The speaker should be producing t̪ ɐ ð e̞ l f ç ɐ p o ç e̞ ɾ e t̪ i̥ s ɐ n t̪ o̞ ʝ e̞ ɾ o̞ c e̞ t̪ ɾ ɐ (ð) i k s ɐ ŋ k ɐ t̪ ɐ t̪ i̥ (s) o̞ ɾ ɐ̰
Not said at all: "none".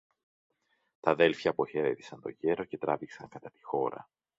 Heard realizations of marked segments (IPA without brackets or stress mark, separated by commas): v, x